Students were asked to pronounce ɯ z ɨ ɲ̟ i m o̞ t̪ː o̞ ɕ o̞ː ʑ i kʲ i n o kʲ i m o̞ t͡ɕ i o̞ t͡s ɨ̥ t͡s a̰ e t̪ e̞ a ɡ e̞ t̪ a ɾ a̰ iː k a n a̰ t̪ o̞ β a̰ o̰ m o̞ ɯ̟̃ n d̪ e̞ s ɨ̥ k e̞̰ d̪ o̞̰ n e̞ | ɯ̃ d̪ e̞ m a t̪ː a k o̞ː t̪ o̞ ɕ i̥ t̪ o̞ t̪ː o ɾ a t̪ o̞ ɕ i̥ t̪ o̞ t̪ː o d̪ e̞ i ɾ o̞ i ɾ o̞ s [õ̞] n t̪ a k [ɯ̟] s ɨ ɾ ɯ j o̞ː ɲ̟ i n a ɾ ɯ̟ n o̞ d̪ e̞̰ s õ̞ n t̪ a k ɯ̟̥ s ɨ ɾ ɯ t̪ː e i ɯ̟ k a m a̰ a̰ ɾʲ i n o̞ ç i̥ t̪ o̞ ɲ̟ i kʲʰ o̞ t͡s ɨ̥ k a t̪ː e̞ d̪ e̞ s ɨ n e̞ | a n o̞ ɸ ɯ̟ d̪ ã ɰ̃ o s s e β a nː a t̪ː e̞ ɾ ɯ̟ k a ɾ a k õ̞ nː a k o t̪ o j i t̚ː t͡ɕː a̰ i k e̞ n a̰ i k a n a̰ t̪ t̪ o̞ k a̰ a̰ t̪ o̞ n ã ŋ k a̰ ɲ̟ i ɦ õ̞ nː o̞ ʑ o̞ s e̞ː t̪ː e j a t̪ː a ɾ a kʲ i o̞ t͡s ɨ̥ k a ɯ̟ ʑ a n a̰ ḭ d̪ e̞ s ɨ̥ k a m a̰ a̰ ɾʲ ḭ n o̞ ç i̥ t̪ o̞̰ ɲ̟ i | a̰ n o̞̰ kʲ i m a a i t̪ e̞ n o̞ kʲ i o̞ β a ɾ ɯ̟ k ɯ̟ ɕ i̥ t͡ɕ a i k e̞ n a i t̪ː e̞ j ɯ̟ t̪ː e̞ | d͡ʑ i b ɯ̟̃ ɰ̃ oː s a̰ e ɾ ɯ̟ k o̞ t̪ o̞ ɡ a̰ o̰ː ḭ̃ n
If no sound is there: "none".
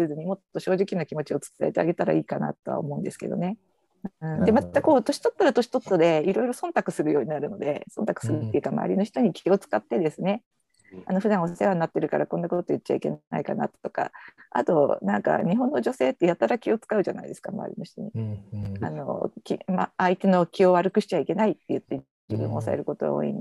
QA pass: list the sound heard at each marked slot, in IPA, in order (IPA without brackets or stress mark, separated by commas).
õ̞, ɯ̟